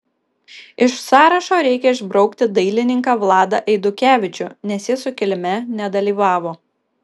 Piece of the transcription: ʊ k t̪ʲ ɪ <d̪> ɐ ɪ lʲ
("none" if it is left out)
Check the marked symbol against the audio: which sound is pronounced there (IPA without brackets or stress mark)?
d̪